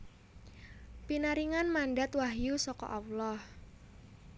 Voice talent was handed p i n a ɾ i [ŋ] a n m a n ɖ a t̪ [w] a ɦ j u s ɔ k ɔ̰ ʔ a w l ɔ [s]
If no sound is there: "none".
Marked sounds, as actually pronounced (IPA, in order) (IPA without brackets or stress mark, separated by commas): ŋ, w, h